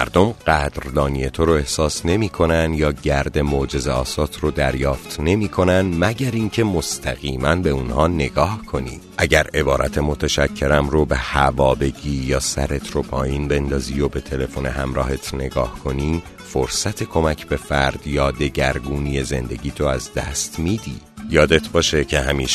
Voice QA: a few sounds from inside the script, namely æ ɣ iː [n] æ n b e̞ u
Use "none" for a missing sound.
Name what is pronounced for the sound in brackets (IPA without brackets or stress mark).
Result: m